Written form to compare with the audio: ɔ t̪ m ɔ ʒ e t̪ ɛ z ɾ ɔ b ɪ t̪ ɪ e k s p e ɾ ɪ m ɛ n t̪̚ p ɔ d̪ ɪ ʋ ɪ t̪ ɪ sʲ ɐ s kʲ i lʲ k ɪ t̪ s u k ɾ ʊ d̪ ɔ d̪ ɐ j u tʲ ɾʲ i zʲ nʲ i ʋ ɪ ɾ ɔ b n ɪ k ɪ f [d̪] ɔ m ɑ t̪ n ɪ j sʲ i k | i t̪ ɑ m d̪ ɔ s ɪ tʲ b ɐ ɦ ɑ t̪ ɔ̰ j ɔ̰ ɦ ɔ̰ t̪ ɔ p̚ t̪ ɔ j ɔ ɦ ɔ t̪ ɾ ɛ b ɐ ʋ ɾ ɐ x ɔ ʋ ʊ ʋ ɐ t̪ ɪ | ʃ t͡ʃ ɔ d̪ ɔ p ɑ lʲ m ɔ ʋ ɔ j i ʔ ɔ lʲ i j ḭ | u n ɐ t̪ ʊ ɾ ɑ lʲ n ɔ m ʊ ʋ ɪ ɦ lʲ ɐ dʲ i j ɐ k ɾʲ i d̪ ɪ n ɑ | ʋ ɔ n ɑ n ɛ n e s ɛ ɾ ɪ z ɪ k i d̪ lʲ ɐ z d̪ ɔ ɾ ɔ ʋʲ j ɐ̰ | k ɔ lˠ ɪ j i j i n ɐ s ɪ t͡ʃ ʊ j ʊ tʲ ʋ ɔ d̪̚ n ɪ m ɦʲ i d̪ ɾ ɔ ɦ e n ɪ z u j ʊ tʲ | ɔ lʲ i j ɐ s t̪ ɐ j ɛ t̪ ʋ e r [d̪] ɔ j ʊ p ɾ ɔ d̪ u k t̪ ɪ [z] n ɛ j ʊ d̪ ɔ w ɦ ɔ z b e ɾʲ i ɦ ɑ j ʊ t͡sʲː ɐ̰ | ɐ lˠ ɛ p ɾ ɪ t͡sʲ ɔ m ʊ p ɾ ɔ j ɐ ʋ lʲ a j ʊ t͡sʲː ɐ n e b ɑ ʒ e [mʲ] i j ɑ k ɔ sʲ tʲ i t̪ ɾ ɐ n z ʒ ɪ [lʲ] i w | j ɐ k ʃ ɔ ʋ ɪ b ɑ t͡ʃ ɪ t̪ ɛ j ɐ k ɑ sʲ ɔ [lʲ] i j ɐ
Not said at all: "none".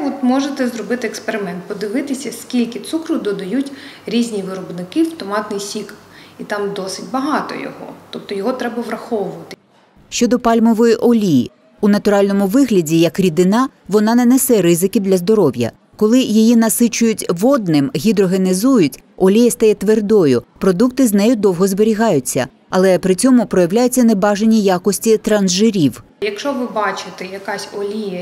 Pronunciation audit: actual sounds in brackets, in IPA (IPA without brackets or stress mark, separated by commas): t̪, d̪, z, nʲ, ɾʲ, lʲ